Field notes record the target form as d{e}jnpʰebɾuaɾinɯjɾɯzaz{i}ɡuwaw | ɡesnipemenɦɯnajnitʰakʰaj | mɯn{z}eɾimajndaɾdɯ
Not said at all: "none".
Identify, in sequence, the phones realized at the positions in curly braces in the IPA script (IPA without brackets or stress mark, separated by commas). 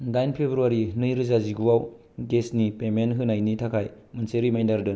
a, i, s